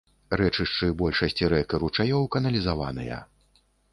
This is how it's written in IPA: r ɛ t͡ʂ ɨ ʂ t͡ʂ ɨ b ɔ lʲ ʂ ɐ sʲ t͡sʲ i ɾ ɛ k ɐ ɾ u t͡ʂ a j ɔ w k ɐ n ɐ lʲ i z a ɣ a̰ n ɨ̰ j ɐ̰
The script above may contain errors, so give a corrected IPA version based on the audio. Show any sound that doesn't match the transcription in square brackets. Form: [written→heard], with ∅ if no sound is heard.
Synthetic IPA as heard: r ɛ t͡ʂ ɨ ʂ t͡ʂ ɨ b ɔ lʲ ʂ ɐ sʲ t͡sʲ i ɾ ɛ k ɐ ɾ u t͡ʂ a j ɔ w k ɐ n ɐ lʲ i z a [ɣ→v] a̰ n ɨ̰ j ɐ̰